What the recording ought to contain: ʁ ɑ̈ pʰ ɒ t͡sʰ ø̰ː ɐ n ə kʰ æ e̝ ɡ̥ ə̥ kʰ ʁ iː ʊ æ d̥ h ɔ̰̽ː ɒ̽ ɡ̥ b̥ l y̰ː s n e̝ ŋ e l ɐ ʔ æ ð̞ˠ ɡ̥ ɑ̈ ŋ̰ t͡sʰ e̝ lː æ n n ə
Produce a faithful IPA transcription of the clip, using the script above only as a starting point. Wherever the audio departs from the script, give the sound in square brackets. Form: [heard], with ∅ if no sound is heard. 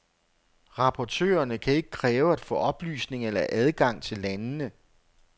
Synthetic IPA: ʁ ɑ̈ pʰ ɒ t͡sʰ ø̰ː ɐ n ə kʰ æ e̝ ɡ̥ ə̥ kʰ ʁ [ɛː] ʊ æ d̥ [f] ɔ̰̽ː ɒ̽ [∅] b̥ l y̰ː s n e̝ ŋ e l ɐ ʔ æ ð̞ˠ ɡ̥ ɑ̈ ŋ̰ t͡sʰ e̝ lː æ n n ə